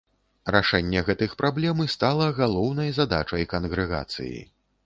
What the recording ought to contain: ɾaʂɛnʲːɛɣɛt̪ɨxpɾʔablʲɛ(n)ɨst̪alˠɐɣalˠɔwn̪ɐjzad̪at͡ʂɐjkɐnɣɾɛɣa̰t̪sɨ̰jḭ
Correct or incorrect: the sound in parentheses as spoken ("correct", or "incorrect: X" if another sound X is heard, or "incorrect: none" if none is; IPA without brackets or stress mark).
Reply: incorrect: m